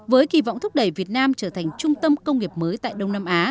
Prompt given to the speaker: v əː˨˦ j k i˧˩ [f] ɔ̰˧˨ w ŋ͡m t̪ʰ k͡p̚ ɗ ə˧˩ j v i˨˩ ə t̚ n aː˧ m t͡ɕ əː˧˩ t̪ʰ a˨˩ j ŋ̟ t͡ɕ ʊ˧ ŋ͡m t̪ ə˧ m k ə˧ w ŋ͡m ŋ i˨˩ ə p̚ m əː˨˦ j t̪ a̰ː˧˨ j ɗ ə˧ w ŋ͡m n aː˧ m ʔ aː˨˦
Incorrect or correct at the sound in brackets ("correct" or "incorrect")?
incorrect